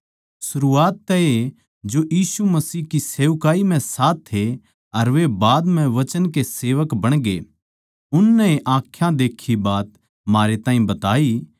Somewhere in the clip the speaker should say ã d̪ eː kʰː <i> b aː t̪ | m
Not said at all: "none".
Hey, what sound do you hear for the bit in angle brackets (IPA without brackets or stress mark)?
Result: i